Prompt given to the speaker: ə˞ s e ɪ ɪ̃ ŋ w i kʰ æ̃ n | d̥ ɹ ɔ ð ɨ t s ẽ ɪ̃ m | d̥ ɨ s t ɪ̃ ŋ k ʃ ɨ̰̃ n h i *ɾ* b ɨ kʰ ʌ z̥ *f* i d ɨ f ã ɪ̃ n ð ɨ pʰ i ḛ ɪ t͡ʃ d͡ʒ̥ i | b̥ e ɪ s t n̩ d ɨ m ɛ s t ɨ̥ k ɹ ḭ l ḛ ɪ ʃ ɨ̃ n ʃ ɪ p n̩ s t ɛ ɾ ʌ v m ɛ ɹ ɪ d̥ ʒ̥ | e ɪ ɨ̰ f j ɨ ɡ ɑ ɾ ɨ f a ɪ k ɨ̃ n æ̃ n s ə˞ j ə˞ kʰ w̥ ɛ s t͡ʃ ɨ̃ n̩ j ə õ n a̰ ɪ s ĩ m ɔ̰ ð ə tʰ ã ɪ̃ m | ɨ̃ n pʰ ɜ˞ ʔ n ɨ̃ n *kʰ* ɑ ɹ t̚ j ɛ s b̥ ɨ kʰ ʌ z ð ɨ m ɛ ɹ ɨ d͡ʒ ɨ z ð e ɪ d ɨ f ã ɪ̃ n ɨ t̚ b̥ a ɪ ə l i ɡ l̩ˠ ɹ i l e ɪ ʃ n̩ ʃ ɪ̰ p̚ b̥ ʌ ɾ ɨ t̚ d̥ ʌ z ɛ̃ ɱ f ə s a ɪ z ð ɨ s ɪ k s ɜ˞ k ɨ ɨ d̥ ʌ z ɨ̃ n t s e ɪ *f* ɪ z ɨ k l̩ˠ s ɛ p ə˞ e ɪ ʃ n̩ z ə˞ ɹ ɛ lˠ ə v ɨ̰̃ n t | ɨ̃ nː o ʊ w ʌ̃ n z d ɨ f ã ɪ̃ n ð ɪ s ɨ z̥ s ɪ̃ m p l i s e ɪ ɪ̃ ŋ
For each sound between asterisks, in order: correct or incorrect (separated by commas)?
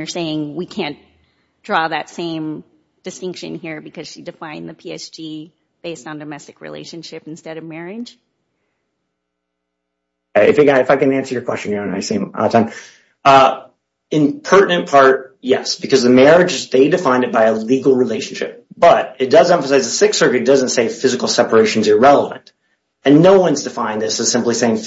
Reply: incorrect, incorrect, incorrect, correct